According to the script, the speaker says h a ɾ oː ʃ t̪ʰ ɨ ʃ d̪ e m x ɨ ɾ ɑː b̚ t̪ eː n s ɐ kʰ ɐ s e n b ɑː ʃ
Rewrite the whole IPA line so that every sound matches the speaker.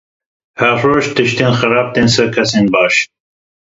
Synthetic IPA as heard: h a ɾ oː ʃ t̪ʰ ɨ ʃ t̪ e n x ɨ ɾ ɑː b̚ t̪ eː n s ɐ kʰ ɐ s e n b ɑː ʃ